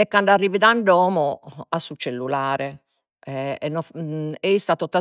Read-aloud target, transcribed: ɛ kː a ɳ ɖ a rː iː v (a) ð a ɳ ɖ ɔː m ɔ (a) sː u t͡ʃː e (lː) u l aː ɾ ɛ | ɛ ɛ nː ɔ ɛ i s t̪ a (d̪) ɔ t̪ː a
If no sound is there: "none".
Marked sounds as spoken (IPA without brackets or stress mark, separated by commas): i, a, lː, t̪